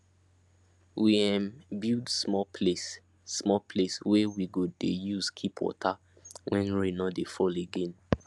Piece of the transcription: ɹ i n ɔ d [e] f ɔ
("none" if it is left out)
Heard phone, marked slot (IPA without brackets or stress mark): e